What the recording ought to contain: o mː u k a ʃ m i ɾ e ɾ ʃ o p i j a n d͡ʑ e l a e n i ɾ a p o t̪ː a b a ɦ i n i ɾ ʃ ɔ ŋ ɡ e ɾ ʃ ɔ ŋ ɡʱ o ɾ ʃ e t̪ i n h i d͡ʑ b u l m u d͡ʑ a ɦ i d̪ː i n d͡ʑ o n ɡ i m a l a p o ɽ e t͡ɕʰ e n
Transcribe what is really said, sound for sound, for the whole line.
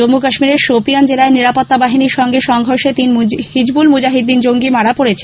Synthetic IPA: o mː u k a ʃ m i ɾ e ɾ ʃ o p i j a n d͡ʑ e l a e n i ɾ a p o t̪ː a b a ɦ i n i ɾ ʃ ɔ ŋ ɡ e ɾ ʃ ɔ ŋ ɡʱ o ɾ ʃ e t̪ i n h i d͡ʑ b u l m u d͡ʑ a ɦ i d̪ː i n d͡ʑ o ŋ ɡ i m a ɽ a p o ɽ e t͡ɕʰ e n